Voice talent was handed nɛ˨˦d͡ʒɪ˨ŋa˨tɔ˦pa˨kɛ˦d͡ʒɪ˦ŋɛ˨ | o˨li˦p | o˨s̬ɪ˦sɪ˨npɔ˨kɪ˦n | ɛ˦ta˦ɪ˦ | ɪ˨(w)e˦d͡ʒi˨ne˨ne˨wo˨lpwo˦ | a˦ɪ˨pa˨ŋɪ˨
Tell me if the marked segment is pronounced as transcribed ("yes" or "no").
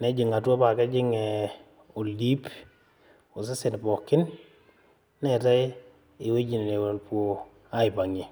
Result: yes